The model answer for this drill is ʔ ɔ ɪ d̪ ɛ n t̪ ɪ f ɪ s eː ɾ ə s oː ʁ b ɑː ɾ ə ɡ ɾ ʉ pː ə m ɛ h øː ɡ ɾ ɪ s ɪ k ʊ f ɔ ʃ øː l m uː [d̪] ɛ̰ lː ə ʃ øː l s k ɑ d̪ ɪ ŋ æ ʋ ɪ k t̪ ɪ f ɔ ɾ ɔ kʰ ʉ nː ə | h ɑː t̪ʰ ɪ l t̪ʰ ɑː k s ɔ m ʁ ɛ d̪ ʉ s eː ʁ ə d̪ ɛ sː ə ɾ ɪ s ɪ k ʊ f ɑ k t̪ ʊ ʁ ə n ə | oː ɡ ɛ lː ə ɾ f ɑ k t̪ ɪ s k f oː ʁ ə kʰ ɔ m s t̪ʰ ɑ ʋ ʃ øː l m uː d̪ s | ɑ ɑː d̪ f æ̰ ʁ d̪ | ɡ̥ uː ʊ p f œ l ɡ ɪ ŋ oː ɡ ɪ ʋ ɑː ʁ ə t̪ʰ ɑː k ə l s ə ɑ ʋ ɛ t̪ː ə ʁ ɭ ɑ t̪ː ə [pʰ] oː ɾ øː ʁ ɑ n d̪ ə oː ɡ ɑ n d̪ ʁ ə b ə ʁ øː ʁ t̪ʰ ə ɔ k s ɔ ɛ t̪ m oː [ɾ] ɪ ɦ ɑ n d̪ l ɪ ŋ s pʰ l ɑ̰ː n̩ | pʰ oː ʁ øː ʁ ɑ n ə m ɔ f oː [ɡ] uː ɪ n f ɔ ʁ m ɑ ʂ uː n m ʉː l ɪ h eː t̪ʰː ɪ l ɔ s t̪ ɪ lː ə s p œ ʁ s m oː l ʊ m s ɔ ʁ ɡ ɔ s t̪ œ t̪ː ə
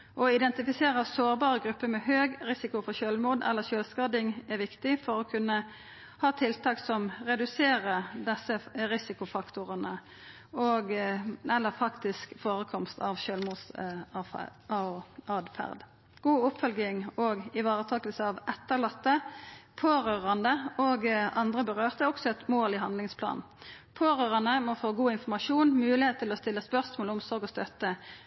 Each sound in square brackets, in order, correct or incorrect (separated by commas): correct, correct, incorrect, correct